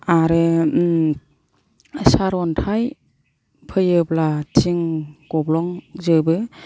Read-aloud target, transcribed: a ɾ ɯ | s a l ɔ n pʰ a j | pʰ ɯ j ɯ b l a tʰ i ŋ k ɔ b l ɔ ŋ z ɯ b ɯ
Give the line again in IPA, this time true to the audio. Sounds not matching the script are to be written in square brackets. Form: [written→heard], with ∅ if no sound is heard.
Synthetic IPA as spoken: a ɾ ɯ | s a [l→ɾ] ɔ n [pʰ→tʰ] a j | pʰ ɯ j ɯ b l a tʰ i ŋ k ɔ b l ɔ ŋ z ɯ b ɯ